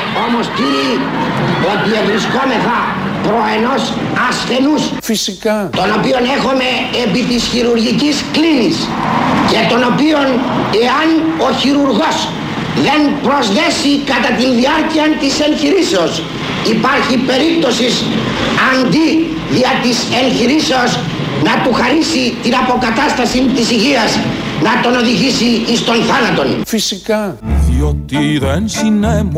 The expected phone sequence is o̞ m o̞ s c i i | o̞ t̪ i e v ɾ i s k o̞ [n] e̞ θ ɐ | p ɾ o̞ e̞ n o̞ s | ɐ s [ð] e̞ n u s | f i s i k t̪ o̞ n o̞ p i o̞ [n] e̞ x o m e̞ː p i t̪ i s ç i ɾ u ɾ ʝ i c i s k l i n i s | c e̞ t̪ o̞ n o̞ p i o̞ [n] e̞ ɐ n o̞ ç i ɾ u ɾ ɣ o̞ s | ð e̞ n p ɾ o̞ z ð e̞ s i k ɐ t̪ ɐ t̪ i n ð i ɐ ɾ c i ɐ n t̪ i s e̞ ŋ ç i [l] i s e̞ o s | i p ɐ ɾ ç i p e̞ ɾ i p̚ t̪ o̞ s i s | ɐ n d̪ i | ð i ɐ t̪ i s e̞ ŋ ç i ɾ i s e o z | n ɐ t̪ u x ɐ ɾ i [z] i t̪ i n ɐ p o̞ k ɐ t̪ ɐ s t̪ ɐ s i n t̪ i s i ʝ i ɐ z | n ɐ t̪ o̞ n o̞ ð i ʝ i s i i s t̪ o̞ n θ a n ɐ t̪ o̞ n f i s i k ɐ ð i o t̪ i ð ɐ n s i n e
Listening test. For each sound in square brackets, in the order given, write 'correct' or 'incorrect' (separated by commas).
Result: incorrect, incorrect, correct, correct, incorrect, incorrect